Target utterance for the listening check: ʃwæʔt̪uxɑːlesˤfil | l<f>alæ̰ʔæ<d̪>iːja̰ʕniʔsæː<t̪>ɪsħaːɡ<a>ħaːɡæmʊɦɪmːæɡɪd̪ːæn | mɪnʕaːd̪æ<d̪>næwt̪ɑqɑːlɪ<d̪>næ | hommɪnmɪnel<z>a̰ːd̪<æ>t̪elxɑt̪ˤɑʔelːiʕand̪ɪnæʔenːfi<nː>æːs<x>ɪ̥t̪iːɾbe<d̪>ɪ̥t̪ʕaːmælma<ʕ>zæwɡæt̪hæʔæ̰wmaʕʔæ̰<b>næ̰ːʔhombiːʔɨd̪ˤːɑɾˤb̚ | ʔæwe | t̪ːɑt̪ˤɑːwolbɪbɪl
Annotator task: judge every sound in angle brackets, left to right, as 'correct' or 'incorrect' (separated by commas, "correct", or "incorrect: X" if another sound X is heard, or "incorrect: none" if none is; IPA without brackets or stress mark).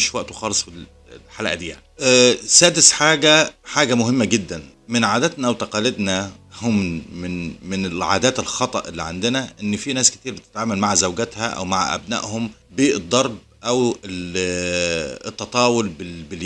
incorrect: ħ, correct, incorrect: d̪, incorrect: æ, incorrect: t̪, correct, incorrect: ʕ, incorrect: æː, incorrect: n, incorrect: k, incorrect: t̪, correct, correct